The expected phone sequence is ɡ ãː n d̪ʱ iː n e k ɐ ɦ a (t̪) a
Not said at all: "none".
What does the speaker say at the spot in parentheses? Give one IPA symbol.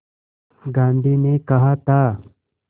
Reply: t̪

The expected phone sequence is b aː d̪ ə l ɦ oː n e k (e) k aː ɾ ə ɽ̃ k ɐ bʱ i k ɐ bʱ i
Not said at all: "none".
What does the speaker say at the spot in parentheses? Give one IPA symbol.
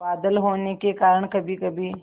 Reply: e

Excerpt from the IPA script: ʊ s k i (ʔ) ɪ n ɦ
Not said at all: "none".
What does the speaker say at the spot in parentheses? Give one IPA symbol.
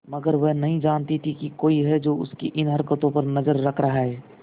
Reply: ʔ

